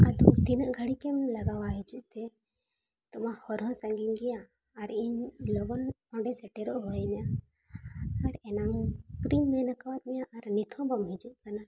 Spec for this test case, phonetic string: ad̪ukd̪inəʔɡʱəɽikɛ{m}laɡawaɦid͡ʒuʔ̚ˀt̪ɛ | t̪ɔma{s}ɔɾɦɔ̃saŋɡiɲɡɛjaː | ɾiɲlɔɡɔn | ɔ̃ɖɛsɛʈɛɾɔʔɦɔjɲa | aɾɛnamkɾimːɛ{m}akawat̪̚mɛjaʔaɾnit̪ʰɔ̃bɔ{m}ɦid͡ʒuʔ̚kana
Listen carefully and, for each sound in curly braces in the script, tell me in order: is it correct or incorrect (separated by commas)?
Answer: correct, incorrect, incorrect, correct